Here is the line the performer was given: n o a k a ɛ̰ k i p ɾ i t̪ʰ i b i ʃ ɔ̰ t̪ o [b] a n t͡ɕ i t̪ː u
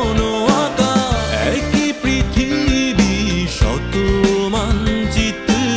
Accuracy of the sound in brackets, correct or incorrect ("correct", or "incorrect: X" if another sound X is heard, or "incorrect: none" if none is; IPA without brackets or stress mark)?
incorrect: m